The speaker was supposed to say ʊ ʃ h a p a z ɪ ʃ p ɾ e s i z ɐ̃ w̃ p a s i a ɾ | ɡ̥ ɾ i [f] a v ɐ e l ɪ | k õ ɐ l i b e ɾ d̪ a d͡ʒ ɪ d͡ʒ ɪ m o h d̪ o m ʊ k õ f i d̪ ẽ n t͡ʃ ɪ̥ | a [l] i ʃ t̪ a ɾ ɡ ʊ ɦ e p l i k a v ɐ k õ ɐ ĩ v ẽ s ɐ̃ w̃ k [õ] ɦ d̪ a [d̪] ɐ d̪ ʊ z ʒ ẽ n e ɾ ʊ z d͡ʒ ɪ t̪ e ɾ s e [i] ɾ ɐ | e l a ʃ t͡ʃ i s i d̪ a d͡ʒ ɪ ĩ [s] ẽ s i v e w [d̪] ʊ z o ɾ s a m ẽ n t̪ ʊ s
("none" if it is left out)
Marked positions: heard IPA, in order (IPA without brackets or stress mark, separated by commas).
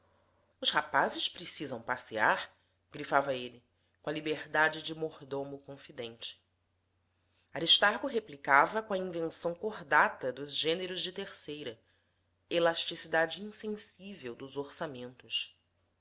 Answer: f, ɾ, o, t̪, j, s, d̪